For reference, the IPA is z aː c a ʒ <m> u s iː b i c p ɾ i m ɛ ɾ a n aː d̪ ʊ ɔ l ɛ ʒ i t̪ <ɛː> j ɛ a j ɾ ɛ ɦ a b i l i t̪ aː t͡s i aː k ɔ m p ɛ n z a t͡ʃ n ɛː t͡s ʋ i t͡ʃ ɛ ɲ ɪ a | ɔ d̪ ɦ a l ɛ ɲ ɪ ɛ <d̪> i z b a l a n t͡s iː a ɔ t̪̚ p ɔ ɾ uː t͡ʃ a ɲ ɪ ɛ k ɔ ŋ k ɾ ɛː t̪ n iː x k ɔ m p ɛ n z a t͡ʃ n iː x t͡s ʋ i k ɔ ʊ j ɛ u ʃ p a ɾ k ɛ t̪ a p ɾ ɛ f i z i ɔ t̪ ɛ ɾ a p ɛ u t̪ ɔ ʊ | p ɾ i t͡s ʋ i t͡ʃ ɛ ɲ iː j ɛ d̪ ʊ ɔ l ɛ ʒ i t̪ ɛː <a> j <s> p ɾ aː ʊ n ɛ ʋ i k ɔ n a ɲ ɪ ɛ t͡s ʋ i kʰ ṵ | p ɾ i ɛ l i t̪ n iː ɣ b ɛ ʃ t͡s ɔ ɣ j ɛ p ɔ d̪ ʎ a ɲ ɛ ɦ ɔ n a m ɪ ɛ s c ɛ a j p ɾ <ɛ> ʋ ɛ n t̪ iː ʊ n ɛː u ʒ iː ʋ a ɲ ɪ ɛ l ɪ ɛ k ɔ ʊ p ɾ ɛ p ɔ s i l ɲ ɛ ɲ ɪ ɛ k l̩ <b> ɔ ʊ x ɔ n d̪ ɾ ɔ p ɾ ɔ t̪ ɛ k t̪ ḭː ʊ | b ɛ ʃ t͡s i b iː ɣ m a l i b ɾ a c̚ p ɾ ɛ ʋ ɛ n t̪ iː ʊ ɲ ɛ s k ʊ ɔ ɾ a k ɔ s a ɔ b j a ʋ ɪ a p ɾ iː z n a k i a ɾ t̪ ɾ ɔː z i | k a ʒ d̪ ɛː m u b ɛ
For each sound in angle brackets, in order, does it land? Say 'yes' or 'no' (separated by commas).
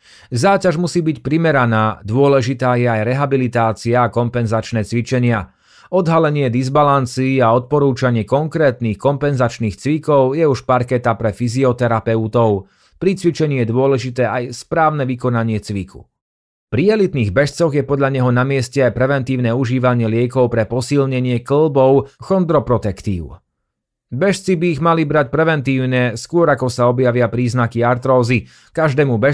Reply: yes, no, yes, yes, yes, yes, yes